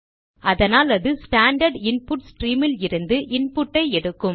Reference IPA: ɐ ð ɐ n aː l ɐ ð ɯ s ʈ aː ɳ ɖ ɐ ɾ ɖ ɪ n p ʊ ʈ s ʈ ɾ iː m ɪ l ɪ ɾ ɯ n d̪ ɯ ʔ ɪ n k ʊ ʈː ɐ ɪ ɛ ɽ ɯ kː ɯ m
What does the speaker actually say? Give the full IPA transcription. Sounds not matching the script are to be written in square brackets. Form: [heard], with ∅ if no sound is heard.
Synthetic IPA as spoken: ɐ ð ɐ n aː l ɐ ð ɯ s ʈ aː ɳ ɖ ɐ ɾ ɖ ɪ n p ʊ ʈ s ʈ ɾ iː m ɪ l ɪ ɾ ɯ n d̪ ɯ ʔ ɪ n [p] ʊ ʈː ɐ ɪ ɛ ɽ ɯ kː ɯ m

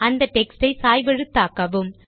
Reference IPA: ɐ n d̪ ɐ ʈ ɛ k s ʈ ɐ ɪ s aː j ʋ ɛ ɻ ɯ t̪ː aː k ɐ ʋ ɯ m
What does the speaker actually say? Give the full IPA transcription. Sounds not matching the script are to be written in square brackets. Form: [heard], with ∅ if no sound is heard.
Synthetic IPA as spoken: ɐ n d̪ ɐ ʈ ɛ k s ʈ ɐ ɪ s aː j ʋ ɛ ɻ ɯ t̪ː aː k ɐ ʋ ɯ m

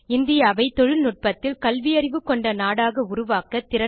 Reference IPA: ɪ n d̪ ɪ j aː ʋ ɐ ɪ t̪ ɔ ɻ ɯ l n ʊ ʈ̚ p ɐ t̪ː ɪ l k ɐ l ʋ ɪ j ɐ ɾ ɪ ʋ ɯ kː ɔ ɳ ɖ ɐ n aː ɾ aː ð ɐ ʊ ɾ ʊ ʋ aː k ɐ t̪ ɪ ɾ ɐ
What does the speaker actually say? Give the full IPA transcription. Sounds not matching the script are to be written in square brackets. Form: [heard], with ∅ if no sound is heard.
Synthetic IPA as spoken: ɪ n d̪ ɪ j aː ʋ ɐ ɪ t̪ ɔ ɻ ɯ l n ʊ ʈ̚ p ɐ t̪ː ɪ l k ɐ l ʋ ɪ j ɐ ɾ ɪ ʋ ɯ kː ɔ ɳ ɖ ɐ n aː [ɽ] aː [ɣ] ɐ ʊ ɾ ʊ ʋ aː k ɐ t̪ ɪ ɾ ɐ

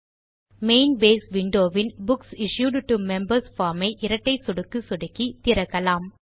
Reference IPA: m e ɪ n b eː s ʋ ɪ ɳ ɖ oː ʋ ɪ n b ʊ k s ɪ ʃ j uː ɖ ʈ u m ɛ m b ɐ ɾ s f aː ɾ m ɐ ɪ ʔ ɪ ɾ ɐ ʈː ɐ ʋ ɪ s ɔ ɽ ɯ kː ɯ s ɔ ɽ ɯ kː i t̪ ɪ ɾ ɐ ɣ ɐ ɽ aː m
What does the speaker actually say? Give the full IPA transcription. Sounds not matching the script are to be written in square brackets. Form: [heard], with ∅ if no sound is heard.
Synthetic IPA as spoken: m e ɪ n b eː s ʋ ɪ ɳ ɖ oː ʋ ɪ n b ʊ k s ɪ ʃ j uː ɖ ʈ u m ɛ m b ɐ ɾ s f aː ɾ m ɐ ɪ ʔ ɪ ɾ ɐ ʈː ɐ [∅] ɪ s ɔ ɽ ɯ kː ɯ s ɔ ɽ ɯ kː i t̪ ɪ ɾ ɐ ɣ ɐ [l] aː m

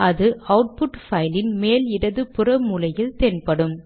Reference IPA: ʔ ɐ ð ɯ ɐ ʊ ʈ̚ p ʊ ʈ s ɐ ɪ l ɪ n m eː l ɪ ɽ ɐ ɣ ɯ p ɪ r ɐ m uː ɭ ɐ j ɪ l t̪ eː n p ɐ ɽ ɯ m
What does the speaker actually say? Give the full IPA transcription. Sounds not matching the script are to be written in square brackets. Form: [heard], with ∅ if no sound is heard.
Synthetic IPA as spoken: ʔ ɐ ð ɯ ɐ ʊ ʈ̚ p ʊ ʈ [f] ɐ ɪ l ɪ n m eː l ɪ ɽ ɐ [ð] ɯ p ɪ r ɐ m uː [l] ɐ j ɪ l t̪ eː n p ɐ ɽ ɯ m

